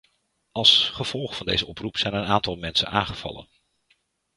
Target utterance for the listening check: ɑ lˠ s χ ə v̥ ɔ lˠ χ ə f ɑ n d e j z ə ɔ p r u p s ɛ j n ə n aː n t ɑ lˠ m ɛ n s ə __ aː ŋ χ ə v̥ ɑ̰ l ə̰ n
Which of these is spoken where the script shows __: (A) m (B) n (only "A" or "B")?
B